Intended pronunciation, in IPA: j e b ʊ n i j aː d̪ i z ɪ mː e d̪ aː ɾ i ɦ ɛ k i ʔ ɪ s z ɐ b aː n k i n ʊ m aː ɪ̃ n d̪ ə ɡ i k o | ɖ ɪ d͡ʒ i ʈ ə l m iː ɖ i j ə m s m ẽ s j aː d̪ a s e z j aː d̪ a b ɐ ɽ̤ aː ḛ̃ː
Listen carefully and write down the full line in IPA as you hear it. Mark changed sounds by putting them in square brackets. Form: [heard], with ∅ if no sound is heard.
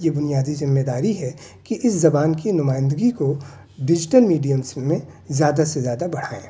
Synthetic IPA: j e b ʊ n i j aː d̪ i z ɪ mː e d̪ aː ɾ i ɦ ɛ k i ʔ ɪ s z ɐ b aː n k i n ʊ m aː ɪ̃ n d̪ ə ɡ i k o | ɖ ɪ d͡ʒ [ɪ] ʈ ə l m iː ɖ i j ə m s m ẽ [z] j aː d̪ a s e z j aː d̪ a b ɐ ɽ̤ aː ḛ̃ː